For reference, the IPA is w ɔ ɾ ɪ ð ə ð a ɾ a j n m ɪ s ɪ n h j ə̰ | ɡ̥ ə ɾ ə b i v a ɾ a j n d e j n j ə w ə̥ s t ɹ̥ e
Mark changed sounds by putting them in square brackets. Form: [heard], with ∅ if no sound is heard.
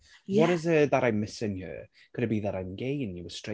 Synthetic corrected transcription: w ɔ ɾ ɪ [z] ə ð a ɾ a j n m ɪ s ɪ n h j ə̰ | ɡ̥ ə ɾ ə b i [ð] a ɾ a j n [ɡ] e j n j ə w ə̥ s t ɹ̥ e

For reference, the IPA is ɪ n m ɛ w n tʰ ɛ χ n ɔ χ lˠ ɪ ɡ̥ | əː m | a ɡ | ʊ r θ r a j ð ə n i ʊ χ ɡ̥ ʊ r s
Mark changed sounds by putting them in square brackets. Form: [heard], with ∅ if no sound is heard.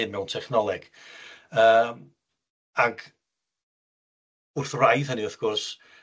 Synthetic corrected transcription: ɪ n m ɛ w n tʰ ɛ χ n ɔ [∅] lˠ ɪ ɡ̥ | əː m | a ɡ | ʊ r θ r a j ð ə n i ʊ [θ] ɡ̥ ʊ r s

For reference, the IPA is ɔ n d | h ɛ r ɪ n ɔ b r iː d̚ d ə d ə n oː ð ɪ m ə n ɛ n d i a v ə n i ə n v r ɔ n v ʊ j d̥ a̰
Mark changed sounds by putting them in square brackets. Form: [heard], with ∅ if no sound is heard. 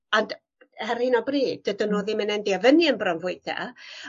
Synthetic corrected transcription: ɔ n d | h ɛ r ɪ n ɔ b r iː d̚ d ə d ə n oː ð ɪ m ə n ɛ n d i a v ə n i ə n [b] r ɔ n v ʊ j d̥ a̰

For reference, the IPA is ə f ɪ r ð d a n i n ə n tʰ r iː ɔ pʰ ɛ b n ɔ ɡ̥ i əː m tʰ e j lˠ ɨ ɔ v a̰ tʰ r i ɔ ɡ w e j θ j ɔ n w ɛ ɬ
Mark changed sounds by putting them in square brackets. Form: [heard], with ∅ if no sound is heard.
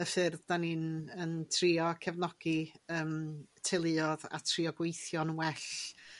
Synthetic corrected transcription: ə f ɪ r ð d a n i n ə n tʰ r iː ɔ [kʰ] ɛ [v] n ɔ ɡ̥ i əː m tʰ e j lˠ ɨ ɔ [ð] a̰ tʰ r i ɔ ɡ w e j θ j ɔ n w ɛ ɬ

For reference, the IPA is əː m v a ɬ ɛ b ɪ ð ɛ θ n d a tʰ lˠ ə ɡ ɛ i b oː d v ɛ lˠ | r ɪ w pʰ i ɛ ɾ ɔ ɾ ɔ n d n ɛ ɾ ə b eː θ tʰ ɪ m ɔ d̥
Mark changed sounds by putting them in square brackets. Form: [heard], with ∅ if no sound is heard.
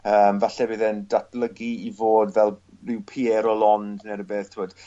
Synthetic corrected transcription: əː m v a ɬ ɛ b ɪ ð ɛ [∅] n d a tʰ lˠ ə ɡ [i] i [v] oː d v ɛ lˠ | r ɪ w pʰ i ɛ ɾ ɔ [l] ɔ n d n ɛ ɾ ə b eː θ tʰ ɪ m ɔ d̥

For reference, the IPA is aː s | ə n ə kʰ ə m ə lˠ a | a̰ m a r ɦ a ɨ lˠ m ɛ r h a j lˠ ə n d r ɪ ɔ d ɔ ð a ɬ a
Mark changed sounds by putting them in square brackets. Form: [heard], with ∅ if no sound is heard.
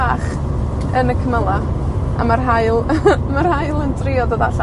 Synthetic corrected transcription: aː [χ] | ə n ə kʰ ə m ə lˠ a | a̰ m a r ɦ a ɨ lˠ m [a] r h a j lˠ ə n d r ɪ ɔ d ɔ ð a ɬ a

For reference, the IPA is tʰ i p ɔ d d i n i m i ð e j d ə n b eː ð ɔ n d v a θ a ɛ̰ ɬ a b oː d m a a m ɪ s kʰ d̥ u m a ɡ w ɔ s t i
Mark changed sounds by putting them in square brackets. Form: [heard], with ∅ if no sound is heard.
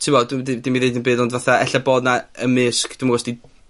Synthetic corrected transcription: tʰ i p ɔ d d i [d] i m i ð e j d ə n b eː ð ɔ n d v a θ a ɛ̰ ɬ a b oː d [n] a [ə] m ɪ s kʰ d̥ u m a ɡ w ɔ s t i

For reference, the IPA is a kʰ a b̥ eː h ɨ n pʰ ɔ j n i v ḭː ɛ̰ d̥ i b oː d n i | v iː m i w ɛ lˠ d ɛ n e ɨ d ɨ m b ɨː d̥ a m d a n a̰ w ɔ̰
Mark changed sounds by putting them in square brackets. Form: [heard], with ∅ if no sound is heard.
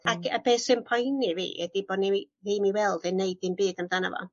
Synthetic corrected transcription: a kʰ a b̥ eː [s] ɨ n pʰ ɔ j n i v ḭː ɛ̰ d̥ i b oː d n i | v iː m i w ɛ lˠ d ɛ n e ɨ d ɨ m b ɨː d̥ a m d a n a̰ [v] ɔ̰

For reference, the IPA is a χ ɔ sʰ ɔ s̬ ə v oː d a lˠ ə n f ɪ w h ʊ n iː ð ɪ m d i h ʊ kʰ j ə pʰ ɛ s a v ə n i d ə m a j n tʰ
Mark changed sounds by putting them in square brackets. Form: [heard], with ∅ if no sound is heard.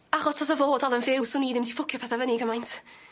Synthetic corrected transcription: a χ ɔ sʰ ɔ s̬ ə v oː d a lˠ ə n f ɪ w [s] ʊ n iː ð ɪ m d i [f] ʊ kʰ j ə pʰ ɛ [θ] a v ə n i [ɡ] ə m a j n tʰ

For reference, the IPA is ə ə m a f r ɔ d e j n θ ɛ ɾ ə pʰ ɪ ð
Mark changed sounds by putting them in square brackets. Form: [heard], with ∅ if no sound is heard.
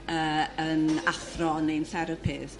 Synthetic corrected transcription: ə ə [n] a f r ɔ [n] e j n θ ɛ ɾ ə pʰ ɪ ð

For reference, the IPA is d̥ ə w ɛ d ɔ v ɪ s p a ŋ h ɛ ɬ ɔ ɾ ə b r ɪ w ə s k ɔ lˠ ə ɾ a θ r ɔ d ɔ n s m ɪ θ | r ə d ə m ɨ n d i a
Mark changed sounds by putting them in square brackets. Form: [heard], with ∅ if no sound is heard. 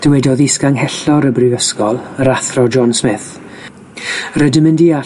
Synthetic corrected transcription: d̥ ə w ɛ d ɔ [ð] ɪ s [k] a ŋ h ɛ ɬ ɔ ɾ ə b r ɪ [v] ə s k ɔ lˠ ə ɾ a θ r ɔ [d͡ʒ] ɔ n s m ɪ θ | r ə d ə m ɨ n d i a

